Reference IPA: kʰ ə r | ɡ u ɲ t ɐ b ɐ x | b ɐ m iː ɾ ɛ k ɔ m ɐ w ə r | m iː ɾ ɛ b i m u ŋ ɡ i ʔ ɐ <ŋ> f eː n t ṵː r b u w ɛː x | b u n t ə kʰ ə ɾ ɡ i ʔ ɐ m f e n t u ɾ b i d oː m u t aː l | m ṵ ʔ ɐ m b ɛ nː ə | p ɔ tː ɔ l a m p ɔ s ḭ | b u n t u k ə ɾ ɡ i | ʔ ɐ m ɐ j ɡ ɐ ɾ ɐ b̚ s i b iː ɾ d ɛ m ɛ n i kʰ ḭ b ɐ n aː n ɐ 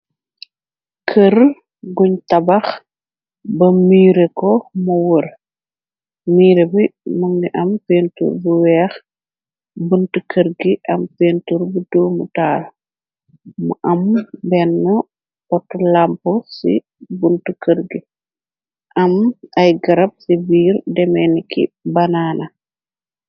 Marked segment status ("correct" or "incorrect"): incorrect